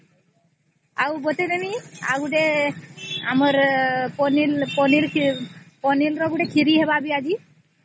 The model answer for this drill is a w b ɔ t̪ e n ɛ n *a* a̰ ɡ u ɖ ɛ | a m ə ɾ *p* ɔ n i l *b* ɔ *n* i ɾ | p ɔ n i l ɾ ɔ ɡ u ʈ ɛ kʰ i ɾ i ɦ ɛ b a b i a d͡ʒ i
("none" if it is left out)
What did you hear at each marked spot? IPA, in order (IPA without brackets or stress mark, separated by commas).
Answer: i, p, p, n